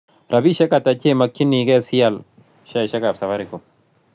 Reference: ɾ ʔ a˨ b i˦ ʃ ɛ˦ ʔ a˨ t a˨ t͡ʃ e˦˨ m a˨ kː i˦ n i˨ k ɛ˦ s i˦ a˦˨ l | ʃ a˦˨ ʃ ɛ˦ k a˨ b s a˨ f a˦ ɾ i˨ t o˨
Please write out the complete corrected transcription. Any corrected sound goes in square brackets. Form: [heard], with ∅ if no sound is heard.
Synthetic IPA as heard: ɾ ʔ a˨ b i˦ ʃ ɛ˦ [k] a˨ t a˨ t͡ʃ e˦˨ m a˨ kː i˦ n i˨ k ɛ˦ s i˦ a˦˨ l | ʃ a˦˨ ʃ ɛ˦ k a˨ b s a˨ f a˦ ɾ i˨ [k] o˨